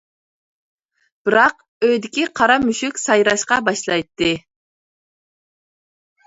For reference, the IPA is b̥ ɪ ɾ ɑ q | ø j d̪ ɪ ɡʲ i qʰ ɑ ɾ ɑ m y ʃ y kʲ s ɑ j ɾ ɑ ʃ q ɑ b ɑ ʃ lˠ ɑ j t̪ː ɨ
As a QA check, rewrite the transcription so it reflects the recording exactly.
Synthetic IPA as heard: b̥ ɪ ɾ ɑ q | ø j d̪ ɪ kʲ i qʰ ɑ ɾ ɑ m y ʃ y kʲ s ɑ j ɾ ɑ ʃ q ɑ b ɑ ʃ lˠ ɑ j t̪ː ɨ